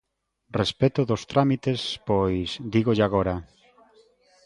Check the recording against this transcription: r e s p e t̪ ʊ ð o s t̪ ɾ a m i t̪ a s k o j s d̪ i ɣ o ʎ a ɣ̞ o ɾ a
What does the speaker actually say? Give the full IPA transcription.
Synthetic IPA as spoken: r e s p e t̪ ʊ ð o s t̪ ɾ a m i t̪ e s p o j s d̪ i ɣ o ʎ a ɣ̞ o ɾ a